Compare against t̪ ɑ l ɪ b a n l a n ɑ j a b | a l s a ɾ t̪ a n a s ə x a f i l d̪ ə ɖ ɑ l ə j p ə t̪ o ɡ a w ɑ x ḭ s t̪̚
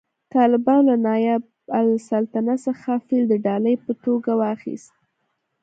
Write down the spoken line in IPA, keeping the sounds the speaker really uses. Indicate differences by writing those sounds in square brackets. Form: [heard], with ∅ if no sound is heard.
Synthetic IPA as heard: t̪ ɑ l ɪ b [ɑ] n l a n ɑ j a b | a l s a [l] t̪ a n a s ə x a f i l d̪ ə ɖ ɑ l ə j p ə t̪ o ɡ a w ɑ x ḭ s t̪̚